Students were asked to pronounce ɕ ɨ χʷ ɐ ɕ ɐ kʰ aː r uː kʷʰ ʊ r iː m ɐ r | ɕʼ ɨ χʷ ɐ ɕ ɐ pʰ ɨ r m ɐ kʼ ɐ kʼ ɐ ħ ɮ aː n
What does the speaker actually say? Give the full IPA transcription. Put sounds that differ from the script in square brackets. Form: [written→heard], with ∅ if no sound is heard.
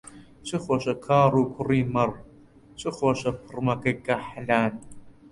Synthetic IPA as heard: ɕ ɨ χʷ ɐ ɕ ɐ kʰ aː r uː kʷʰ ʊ r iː m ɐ r | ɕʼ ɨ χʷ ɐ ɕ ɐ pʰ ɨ r m ɐ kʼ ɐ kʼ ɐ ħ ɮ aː n